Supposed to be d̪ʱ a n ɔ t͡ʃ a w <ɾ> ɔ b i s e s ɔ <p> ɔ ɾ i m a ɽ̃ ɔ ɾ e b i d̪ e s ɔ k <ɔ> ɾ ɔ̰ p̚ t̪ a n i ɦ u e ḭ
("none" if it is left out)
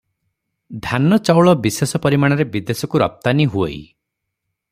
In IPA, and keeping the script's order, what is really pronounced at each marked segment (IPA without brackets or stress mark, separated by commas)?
ɭ, p, u